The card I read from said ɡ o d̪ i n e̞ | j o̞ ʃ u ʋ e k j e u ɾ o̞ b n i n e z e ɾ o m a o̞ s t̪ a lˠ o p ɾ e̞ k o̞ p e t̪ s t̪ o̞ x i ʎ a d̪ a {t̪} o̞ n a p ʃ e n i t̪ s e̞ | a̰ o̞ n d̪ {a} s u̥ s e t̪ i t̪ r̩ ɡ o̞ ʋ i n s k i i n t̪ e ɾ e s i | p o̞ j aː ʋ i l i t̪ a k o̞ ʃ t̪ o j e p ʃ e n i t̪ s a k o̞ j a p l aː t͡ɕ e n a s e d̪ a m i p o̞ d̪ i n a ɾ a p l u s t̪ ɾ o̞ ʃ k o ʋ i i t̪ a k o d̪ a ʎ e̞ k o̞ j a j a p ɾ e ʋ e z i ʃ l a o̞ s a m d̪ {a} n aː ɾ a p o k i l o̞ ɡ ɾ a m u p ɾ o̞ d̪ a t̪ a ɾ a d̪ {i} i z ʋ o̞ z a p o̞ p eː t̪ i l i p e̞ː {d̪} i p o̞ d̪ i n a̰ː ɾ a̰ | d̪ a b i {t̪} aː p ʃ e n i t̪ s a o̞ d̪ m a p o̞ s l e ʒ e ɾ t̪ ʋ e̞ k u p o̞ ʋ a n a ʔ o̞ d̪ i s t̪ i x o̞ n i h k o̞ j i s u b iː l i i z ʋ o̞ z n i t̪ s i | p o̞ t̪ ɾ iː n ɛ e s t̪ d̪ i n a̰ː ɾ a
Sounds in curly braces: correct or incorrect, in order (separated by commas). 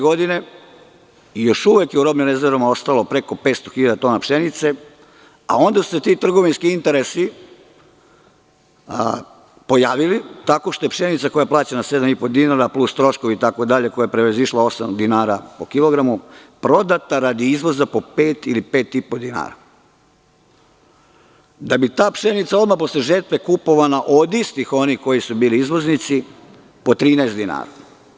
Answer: correct, correct, incorrect, correct, incorrect, correct